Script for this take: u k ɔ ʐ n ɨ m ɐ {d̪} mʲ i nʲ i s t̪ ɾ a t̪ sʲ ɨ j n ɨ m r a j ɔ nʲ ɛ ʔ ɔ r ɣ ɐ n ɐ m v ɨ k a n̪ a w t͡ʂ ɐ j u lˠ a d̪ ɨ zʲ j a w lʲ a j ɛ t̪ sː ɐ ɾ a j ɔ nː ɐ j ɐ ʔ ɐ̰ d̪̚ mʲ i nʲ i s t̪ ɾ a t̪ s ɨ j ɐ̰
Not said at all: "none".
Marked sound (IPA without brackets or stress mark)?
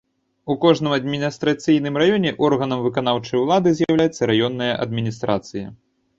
d̪